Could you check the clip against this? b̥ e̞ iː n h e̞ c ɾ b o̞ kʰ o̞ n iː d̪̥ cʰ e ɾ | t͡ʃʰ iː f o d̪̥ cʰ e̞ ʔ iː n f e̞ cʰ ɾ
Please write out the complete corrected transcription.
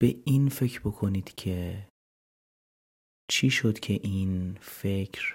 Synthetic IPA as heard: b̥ e̞ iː n f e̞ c ɾ b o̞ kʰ o̞ n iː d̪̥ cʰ e | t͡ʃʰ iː ʃ o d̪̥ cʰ e̞ ʔ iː n f e̞ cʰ ɾ